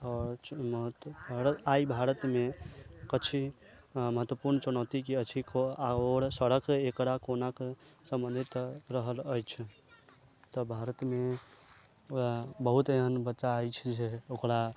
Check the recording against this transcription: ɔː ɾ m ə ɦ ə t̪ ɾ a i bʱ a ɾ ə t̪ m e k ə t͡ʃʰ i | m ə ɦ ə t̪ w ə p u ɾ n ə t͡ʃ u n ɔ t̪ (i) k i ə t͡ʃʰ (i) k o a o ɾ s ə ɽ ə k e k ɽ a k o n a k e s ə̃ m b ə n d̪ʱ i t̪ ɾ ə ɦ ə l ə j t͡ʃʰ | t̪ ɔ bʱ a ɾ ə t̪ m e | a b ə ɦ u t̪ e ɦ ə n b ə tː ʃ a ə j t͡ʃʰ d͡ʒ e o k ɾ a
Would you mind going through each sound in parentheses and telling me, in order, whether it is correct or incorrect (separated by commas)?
correct, correct